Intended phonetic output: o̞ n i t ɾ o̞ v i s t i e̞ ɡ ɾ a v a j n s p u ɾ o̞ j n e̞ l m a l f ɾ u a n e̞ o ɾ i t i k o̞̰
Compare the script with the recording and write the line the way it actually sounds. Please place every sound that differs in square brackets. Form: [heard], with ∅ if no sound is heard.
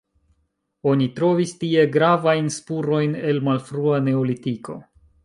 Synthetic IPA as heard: o̞ n i t ɾ o̞ v i s t i e̞ ɡ ɾ a v a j n s p u ɾ o̞ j n e̞ l m a l f ɾ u a n e̞ o [l] i t i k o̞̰

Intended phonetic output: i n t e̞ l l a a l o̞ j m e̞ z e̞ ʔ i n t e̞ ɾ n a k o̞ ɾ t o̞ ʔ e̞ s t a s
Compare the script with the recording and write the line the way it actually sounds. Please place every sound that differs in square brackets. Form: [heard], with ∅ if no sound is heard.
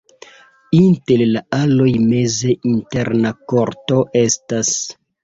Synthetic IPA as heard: i n t e̞ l l a a l o̞ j m e̞ z e̞ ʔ i n t e̞ ɾ n a k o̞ ɾ t o̞ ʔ e̞ s t a s

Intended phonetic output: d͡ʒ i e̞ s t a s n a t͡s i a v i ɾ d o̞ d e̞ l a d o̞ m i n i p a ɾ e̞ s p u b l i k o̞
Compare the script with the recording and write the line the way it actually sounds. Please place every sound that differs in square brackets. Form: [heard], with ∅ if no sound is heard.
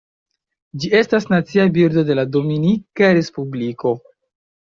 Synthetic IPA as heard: d͡ʒ i e̞ s t a s n a t͡s i a [b] i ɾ d o̞ d e̞ l a d o̞ m i n i [k] a ɾ e̞ s p u b l i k o̞

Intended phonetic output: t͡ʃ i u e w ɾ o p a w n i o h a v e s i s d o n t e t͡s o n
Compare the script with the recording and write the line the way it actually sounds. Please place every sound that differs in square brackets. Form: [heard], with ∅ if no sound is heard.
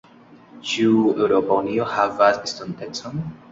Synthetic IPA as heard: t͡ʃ i u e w ɾ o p a [u] n i o h a v [a] s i s [t] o n t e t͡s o n

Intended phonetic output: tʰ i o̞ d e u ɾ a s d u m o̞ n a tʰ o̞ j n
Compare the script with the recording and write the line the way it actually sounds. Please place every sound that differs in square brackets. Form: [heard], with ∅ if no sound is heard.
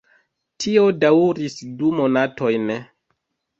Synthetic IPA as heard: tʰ i o̞ d [a] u ɾ [i] s d u m o̞ n a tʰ o̞ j n

